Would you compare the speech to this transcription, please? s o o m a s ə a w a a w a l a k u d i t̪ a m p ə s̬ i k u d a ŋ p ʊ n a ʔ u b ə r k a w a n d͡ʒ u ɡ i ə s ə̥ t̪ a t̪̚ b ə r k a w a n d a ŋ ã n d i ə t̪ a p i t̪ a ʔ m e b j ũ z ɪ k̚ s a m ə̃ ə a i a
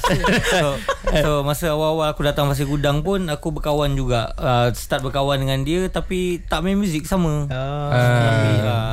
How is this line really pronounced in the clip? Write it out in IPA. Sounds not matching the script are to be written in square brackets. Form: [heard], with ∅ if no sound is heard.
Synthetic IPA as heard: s o o m a s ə a w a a w a l a k u d [a] t̪ a [ŋ] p [a] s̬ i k u d a ŋ p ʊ n a [k] u b ə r k a w a n d͡ʒ u ɡ [a] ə s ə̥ t̪ a t̪̚ b ə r k a w a n d [ə] ŋ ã n d i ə t̪ a p i t̪ a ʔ m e [m] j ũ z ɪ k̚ s a m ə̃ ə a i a